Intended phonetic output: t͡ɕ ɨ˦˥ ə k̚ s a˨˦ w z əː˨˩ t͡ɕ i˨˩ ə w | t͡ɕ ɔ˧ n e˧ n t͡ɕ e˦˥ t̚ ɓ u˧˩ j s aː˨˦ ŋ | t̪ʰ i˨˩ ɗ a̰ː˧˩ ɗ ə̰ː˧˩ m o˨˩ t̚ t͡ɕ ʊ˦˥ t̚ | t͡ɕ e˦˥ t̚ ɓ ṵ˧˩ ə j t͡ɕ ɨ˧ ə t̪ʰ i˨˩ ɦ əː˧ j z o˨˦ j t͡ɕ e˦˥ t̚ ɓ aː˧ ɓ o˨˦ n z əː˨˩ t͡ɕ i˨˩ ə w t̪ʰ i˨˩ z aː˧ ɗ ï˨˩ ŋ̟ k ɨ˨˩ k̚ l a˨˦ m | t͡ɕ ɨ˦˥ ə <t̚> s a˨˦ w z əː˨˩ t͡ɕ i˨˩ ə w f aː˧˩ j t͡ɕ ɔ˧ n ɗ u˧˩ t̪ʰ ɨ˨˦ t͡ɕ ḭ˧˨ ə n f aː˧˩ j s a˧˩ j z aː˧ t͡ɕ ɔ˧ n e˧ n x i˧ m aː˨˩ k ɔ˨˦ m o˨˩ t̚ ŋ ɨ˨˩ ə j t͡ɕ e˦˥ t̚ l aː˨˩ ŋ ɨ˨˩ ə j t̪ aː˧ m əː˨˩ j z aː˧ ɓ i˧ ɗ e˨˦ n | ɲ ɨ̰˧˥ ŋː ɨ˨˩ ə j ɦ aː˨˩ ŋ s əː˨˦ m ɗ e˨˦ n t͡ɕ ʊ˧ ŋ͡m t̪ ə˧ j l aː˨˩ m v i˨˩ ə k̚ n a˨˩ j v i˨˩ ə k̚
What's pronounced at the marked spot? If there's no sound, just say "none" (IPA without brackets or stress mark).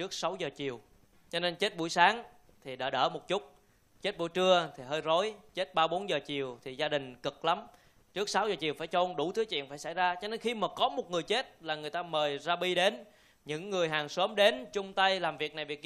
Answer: k̚